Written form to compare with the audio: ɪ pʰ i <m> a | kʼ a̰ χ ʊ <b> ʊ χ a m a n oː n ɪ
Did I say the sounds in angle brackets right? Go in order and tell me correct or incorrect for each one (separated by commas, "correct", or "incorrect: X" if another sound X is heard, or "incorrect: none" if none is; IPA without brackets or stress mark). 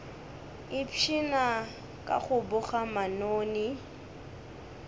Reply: incorrect: n, correct